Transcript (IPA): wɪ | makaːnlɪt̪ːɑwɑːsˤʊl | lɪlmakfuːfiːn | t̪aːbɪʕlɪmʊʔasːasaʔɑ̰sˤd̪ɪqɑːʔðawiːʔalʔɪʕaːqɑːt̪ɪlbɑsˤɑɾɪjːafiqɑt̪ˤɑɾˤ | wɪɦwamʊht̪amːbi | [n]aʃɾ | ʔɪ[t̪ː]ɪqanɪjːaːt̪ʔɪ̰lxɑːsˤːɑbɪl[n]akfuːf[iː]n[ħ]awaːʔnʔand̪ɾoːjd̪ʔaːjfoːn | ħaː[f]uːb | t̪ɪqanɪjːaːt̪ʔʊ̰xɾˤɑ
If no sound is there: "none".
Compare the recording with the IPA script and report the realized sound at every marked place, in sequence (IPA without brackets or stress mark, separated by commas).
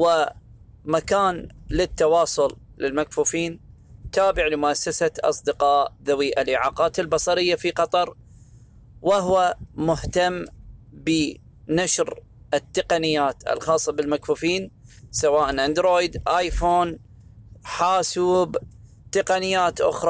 n, t̪ː, m, iː, s, s